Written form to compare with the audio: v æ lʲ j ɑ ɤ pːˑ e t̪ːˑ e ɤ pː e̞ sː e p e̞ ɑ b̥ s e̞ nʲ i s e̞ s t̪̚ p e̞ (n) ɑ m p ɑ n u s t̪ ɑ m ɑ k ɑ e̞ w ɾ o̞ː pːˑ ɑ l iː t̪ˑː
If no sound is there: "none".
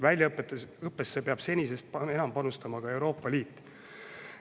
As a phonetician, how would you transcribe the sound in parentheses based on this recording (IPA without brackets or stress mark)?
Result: n